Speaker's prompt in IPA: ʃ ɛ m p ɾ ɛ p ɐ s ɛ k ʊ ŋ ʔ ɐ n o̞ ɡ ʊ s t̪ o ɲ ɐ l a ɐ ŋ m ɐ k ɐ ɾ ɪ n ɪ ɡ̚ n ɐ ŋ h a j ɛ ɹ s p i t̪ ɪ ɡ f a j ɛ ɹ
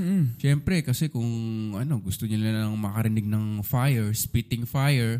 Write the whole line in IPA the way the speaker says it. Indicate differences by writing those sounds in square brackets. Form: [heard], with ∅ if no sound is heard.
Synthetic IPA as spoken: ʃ ɛ m p ɾ ɛ [k] ɐ s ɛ k ʊ ŋ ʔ ɐ n o̞ ɡ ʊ s t̪ o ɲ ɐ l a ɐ ŋ m ɐ k ɐ ɾ ɪ n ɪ ɡ̚ n ɐ ŋ [f] a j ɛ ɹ s p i t̪ ɪ [ŋ] f a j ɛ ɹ